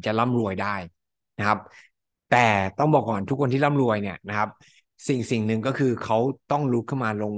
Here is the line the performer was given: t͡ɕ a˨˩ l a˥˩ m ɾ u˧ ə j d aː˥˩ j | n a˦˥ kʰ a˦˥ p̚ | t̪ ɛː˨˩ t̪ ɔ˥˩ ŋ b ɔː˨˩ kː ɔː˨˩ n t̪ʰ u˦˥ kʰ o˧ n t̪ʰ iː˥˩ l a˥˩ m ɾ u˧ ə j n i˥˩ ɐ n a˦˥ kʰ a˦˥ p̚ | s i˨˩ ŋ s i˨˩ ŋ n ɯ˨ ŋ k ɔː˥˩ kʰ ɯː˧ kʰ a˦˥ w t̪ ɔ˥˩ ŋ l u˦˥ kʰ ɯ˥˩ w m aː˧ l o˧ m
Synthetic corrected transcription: t͡ɕ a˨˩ l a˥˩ m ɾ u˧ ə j d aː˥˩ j | n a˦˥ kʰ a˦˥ p̚ | t̪ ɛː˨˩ t̪ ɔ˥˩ ŋ b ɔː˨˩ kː ɔː˨˩ n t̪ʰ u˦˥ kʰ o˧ n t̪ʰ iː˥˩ l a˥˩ m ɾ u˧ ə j n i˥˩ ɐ n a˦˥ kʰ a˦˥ p̚ | s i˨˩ ŋ s i˨˩ ŋ n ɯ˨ ŋ k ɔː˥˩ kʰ ɯː˧ kʰ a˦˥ w t̪ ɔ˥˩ ŋ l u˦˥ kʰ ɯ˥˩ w m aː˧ l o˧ ŋ